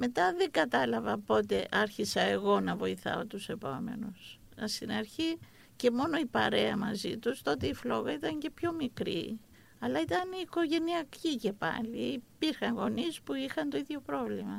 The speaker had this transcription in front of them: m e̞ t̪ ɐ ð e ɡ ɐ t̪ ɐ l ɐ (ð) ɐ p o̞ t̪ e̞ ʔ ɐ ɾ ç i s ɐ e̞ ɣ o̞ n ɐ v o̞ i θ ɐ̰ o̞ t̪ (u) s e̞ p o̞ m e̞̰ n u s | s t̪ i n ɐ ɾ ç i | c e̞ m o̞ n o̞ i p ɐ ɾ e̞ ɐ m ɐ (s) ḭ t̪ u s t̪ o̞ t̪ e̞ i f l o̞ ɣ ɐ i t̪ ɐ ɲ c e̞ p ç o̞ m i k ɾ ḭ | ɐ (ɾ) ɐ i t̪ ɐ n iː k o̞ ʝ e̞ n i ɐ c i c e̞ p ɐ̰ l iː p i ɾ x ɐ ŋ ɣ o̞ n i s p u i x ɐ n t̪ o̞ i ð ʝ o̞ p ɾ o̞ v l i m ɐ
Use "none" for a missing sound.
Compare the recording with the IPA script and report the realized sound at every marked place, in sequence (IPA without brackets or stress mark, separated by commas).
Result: v, u, z, l